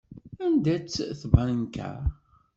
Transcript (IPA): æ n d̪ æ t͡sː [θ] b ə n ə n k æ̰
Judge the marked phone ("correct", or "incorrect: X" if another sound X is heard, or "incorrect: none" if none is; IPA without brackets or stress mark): correct